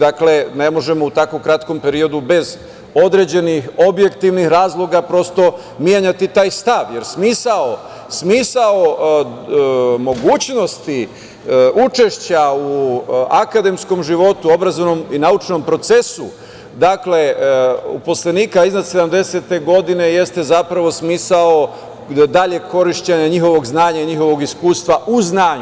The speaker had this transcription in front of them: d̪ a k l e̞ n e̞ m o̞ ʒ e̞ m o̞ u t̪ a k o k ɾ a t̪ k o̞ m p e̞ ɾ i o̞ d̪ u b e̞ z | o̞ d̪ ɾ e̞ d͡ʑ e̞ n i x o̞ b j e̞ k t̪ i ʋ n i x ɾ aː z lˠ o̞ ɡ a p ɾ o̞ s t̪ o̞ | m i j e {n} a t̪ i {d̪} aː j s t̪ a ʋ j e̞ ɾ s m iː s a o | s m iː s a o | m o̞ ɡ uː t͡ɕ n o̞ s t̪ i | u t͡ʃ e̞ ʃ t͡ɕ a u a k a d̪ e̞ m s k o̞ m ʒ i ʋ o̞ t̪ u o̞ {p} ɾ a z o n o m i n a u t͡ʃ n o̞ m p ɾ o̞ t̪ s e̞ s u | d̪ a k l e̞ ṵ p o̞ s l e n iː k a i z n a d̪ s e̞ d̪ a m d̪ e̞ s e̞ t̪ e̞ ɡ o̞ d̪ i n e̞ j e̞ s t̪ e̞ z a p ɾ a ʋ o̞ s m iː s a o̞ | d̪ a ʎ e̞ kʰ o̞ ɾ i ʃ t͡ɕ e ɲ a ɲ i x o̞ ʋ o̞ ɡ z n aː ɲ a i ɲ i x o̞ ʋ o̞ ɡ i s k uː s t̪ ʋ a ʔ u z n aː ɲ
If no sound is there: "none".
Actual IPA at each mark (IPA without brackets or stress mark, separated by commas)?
ɲ, t̪, b